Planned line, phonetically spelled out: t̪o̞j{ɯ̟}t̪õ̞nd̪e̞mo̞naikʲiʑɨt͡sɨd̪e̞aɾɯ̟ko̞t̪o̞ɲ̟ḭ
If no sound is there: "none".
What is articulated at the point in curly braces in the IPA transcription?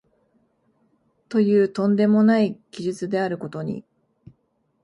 ɯ̟ː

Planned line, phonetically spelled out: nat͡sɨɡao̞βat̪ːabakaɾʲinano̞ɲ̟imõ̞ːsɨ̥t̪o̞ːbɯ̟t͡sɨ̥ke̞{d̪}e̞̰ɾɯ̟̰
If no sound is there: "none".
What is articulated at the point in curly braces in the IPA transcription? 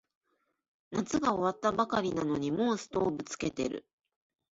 t̪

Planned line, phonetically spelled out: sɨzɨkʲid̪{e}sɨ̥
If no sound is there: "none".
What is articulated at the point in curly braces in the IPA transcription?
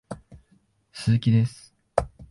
e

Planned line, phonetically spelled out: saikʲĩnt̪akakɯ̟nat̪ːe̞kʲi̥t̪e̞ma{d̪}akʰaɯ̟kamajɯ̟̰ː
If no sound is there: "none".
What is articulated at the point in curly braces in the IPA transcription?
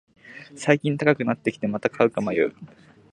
t̪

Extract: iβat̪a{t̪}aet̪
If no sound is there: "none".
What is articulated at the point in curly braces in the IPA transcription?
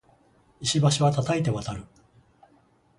t̪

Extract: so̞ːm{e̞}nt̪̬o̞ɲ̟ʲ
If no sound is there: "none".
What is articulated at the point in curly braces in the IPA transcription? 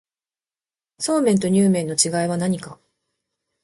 ẽ̞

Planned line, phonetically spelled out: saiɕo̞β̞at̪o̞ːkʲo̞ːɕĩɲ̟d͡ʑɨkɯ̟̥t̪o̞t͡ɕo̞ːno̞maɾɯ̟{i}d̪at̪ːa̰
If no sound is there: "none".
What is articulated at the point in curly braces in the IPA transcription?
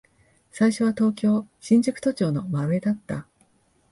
e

